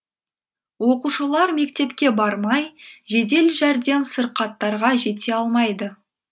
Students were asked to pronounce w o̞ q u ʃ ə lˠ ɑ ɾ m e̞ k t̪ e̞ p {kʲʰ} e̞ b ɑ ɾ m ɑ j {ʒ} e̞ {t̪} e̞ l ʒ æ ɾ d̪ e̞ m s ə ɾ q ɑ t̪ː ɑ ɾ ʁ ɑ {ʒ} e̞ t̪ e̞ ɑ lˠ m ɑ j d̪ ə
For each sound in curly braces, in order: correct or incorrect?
incorrect: kʲ, correct, incorrect: d̪, correct

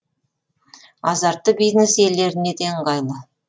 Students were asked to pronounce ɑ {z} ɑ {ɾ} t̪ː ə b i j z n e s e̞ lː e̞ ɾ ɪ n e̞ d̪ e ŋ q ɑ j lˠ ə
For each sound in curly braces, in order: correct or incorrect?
correct, correct

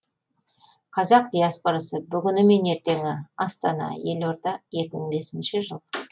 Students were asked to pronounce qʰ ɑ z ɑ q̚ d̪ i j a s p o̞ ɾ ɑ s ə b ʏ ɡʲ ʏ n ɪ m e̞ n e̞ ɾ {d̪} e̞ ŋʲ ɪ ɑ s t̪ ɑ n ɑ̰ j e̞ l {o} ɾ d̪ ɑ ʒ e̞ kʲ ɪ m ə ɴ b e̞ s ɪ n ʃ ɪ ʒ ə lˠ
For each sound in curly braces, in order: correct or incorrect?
incorrect: t̪, correct

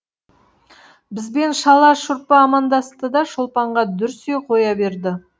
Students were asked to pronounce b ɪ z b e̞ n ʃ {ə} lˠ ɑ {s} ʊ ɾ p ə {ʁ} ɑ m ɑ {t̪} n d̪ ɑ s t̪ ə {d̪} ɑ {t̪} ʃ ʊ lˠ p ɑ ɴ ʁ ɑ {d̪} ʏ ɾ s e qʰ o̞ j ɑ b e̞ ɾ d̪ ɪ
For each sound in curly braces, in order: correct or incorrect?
incorrect: ɑ, incorrect: ʃ, incorrect: none, incorrect: none, correct, incorrect: none, correct

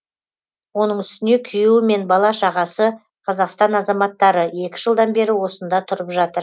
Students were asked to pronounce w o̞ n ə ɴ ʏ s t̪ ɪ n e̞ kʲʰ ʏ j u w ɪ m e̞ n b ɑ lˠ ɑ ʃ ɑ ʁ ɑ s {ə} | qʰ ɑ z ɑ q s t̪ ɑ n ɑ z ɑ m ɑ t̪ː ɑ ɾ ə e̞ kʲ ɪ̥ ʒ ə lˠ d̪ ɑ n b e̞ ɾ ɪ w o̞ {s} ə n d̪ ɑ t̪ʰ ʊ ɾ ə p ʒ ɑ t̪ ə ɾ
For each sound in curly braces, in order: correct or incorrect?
correct, correct

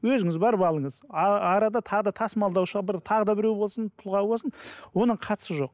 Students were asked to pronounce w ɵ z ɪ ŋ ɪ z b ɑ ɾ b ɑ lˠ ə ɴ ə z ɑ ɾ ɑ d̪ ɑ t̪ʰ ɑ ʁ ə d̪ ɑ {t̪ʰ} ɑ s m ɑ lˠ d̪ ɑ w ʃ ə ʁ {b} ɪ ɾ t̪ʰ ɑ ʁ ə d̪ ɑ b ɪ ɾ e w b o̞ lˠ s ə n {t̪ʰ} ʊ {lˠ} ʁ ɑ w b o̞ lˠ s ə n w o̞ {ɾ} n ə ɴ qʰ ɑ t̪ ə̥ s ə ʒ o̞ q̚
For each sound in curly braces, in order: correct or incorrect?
correct, correct, correct, correct, incorrect: none

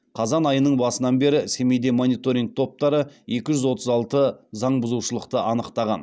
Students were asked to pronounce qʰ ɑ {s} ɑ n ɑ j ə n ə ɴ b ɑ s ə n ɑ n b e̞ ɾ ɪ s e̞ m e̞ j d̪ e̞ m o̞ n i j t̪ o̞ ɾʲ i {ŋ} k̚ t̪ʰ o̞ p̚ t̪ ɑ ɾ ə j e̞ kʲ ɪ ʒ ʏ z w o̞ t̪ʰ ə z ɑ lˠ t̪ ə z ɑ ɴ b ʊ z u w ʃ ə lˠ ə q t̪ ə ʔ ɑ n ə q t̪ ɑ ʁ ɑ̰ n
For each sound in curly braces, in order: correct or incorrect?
incorrect: z, correct

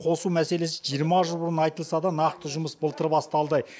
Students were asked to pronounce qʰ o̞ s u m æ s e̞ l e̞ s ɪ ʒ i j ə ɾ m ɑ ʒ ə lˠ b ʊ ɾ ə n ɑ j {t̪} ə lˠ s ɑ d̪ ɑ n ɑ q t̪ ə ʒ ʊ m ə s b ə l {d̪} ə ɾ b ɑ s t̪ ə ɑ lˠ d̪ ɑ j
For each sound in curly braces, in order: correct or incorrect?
correct, incorrect: t̪

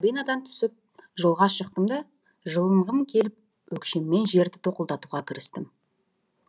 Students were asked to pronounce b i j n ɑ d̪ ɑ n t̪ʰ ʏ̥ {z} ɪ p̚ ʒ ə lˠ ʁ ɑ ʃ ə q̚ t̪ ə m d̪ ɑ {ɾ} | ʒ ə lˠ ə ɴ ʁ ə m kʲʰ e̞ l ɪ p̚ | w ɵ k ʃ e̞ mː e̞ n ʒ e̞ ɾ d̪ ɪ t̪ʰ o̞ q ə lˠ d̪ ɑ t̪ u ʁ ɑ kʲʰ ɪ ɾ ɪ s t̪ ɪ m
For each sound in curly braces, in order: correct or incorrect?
incorrect: s, incorrect: none

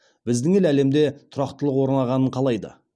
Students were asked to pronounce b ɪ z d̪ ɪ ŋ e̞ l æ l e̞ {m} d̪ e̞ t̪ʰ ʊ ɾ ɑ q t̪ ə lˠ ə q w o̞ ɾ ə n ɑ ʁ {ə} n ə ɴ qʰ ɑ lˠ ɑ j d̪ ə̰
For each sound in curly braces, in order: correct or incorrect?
correct, incorrect: ɑ

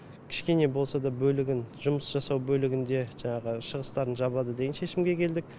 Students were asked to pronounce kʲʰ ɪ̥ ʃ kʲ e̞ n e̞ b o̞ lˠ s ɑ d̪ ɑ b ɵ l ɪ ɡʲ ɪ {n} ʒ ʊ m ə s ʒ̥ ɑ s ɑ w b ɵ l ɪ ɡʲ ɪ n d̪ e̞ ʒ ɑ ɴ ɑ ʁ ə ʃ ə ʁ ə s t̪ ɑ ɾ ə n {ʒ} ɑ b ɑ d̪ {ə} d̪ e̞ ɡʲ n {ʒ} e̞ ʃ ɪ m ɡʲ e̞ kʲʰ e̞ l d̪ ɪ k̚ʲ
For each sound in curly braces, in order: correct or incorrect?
correct, correct, correct, incorrect: ʃ

